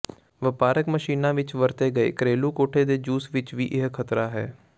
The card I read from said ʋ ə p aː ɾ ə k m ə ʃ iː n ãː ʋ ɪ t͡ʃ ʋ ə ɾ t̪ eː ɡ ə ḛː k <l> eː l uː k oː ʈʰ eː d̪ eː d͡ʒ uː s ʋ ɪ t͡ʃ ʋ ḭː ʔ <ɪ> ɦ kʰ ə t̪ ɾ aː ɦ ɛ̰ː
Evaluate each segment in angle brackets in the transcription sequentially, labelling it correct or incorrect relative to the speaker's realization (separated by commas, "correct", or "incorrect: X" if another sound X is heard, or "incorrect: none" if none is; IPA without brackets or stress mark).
incorrect: ɾ, correct